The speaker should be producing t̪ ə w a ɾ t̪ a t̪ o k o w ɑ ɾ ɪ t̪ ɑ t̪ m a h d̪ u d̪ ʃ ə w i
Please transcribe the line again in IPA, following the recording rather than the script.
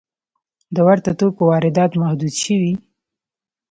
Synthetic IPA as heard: d̪ ə w a ɾ t̪ a t̪ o k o w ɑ ɾ ɪ d̪ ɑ t̪ m a h d̪ u d̪ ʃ ə w i